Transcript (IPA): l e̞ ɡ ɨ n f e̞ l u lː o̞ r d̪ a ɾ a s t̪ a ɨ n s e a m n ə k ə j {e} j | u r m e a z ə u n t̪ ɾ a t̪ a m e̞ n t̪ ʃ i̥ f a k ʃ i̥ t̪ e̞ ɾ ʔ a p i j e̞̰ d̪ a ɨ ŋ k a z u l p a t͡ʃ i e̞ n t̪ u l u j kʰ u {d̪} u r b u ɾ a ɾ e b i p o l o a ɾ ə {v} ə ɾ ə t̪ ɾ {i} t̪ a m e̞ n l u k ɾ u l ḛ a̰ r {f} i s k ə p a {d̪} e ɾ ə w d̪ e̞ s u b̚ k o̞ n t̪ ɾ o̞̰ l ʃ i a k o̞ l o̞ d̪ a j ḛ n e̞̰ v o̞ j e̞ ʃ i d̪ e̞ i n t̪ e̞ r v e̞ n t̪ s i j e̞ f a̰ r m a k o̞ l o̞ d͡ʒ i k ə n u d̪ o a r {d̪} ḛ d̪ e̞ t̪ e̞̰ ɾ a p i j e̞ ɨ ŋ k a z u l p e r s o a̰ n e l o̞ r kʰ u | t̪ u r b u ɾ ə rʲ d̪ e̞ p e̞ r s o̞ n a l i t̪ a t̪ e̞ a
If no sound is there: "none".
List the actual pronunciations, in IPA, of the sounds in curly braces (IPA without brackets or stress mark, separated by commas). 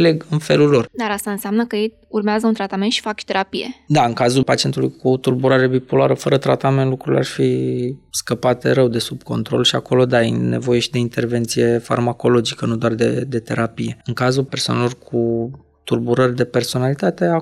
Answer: e, t̪, f, a, f, t̪, d̪